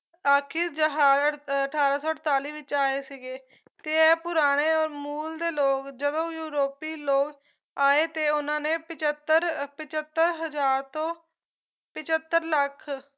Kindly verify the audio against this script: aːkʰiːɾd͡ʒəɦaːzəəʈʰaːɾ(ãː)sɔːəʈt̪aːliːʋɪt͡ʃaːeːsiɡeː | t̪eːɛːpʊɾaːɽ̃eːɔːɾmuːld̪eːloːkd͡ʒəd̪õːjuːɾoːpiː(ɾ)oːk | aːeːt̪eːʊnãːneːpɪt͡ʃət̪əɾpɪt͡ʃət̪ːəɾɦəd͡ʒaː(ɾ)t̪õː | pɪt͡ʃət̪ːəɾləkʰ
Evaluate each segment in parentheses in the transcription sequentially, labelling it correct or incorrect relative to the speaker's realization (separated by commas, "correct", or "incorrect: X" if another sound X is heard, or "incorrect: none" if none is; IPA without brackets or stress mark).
incorrect: aː, incorrect: l, correct